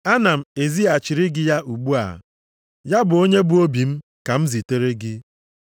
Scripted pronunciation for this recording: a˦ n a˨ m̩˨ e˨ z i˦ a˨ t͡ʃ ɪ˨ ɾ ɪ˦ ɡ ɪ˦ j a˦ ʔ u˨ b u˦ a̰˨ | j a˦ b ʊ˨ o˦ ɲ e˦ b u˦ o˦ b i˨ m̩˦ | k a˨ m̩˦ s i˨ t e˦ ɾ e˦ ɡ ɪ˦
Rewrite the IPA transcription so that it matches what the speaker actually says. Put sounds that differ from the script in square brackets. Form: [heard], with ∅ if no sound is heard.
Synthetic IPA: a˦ n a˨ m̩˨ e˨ z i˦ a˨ t͡ʃ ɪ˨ ɾ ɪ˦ ɡ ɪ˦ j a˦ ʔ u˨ [ɡ͡b] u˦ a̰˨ | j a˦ b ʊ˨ o˦ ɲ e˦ b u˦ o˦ b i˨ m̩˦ | k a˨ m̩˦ [z] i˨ t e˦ ɾ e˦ ɡ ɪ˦